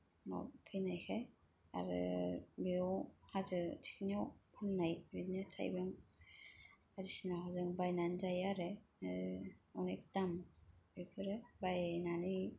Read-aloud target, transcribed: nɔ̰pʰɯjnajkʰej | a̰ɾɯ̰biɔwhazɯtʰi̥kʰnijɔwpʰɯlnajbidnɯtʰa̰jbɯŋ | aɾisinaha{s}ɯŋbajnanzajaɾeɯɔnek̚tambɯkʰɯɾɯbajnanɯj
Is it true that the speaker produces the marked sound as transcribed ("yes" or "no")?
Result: no